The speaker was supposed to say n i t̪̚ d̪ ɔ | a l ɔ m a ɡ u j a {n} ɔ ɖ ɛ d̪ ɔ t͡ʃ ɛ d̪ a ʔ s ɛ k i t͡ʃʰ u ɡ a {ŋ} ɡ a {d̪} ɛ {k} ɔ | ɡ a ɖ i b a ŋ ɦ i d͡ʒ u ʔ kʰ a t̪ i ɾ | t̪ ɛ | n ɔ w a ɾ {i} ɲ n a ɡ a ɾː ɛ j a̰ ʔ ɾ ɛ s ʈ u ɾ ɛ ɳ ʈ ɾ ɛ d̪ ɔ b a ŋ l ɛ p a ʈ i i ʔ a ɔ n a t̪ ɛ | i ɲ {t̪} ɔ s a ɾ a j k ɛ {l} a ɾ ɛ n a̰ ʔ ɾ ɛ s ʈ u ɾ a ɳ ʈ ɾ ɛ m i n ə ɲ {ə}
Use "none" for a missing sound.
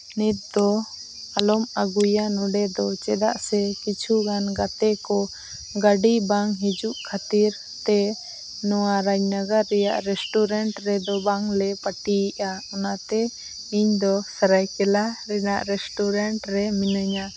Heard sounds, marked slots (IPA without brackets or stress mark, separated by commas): n, n, t̪, k, a, d̪, l, a